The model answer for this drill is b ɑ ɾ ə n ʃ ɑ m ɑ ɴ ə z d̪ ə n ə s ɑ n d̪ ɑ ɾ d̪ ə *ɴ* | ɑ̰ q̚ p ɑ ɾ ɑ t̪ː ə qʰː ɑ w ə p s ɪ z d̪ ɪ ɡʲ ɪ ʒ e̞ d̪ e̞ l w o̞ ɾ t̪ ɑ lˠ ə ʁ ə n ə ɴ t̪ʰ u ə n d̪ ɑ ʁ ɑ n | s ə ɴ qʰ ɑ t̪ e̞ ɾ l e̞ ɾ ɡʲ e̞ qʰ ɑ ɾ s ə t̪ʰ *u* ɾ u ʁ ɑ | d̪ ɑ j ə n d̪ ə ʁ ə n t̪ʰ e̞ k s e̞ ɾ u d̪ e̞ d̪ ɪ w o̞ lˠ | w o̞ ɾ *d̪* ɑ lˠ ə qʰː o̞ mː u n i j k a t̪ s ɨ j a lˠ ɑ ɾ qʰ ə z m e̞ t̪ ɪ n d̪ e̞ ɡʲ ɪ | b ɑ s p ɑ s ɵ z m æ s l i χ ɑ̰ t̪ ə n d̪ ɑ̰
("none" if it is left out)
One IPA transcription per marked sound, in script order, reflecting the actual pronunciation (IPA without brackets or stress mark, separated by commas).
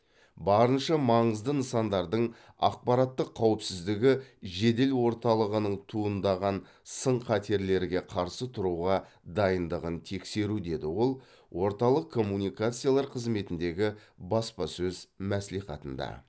ɴ, ʊ, t̪